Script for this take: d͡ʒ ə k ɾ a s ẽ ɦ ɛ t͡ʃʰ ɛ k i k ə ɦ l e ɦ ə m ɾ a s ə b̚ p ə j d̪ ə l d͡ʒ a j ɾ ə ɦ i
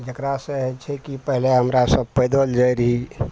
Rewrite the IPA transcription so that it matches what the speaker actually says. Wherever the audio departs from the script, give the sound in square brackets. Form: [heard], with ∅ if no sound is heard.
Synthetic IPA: d͡ʒ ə k ɾ a s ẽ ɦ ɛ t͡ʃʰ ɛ k i [p] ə ɦ l e ɦ ə m ɾ a s ə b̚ p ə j d̪ ə l d͡ʒ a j ɾ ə ɦ i